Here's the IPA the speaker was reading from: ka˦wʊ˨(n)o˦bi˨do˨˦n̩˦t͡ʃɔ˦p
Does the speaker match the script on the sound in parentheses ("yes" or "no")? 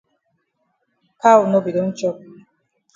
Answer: yes